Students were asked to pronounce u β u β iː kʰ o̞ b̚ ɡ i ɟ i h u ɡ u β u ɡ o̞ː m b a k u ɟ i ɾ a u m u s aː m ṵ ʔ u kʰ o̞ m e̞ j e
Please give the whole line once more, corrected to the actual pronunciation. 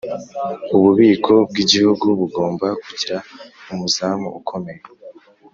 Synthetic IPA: u β u β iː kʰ o̞ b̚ ɡ i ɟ i h u ɡ u β u ɡ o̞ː m b a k u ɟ i ɾ a u m u z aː m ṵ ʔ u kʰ o̞ m e̞ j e